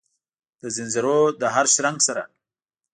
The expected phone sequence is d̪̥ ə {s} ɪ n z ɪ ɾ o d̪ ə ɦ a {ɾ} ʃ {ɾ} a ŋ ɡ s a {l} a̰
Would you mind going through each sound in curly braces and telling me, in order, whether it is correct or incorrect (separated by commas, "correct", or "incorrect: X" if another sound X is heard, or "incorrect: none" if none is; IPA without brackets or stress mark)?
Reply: incorrect: z, correct, correct, incorrect: ɾ